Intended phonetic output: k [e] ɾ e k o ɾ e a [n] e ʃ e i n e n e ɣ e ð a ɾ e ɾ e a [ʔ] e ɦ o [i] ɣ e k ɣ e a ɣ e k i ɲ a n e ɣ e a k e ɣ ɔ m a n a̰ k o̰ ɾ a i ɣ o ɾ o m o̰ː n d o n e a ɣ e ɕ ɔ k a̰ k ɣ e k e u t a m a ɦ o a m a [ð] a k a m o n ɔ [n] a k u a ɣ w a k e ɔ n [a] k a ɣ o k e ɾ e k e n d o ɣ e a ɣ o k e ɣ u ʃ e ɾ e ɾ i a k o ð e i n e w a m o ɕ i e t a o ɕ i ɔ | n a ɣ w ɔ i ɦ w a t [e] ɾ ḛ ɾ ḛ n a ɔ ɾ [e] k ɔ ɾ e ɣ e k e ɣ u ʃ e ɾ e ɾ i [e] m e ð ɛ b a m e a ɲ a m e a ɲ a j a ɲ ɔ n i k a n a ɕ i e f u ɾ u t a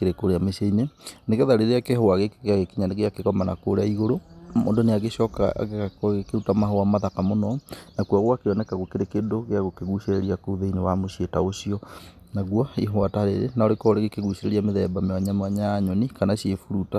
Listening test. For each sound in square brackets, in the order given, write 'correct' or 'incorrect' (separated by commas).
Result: correct, incorrect, incorrect, incorrect, correct, correct, incorrect, incorrect, correct, incorrect